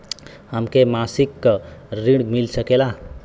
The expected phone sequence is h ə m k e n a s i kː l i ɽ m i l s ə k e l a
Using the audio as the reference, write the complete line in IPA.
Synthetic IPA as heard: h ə m k e m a s i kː ɾ i ɽ m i l s ə k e l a